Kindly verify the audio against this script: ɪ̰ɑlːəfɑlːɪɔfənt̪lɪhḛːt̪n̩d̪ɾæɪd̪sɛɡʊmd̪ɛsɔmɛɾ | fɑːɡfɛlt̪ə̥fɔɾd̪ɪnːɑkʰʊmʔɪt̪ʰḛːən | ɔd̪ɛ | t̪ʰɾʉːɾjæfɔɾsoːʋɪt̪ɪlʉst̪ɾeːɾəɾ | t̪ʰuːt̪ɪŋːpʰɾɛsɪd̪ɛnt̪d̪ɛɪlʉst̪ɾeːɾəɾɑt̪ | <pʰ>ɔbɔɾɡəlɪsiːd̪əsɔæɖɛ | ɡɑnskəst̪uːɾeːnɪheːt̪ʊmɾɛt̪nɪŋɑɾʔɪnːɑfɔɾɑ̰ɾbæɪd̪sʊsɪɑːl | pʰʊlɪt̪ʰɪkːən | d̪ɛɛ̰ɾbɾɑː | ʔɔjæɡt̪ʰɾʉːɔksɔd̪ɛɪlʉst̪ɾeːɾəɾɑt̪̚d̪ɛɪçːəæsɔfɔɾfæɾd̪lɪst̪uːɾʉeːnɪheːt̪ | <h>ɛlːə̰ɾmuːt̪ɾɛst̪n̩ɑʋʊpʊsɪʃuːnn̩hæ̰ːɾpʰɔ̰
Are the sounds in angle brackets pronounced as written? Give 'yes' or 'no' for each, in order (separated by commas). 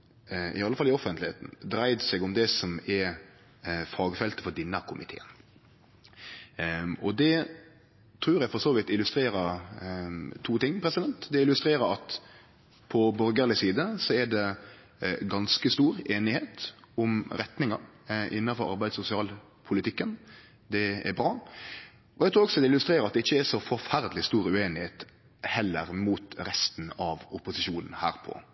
yes, yes